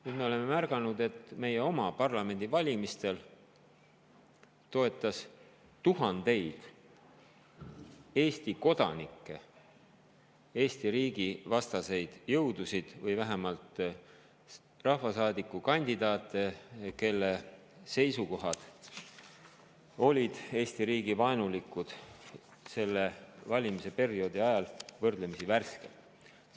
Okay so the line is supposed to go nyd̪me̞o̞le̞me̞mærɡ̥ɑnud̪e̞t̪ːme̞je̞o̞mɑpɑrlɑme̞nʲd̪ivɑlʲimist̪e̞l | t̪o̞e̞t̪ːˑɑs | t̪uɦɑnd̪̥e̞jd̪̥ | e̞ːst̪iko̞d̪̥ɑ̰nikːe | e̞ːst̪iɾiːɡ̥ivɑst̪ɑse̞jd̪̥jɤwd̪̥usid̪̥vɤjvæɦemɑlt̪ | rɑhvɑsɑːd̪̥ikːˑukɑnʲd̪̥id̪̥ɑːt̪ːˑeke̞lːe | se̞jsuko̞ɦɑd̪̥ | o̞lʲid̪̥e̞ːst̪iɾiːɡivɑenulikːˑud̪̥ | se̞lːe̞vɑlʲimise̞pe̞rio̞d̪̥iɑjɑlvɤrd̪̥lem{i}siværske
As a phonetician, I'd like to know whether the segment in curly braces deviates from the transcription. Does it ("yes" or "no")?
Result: no